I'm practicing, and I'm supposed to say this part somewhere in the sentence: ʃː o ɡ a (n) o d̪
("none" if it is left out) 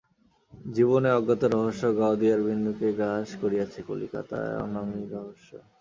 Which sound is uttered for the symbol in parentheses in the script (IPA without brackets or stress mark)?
none